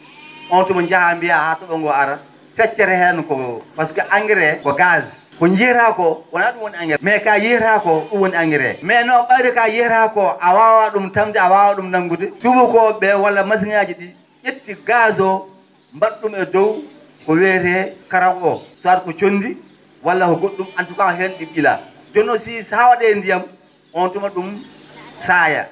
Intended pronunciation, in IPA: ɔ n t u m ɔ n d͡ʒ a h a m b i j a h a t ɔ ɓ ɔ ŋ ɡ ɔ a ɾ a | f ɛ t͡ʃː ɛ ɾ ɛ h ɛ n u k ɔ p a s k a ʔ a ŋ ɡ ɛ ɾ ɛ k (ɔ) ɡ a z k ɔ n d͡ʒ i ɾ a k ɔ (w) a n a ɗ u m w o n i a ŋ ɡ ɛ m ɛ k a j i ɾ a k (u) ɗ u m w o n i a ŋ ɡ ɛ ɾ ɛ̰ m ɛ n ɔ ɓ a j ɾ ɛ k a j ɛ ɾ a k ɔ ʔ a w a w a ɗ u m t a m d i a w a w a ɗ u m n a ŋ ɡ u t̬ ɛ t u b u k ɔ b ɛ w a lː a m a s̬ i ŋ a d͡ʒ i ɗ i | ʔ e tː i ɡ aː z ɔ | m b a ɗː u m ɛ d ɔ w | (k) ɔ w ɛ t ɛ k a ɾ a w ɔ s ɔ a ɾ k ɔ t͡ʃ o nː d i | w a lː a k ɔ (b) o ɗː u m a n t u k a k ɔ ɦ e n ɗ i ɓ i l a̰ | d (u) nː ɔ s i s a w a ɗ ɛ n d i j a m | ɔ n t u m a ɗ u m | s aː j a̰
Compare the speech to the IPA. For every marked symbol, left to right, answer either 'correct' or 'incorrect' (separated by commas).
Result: correct, correct, incorrect, correct, incorrect, incorrect